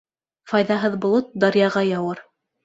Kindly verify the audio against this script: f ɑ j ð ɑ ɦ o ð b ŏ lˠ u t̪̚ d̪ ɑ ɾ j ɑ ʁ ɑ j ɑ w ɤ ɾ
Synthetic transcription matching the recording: f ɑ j ð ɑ ɦ ɤ ð b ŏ lˠ o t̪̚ d̪ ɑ ɾ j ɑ ʁ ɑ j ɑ w ɤ ɾ